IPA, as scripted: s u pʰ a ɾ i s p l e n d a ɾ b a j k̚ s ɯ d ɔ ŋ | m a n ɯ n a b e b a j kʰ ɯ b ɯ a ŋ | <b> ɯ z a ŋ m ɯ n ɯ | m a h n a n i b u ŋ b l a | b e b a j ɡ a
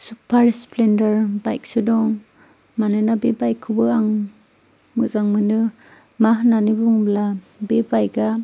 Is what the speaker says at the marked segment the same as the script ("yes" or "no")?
no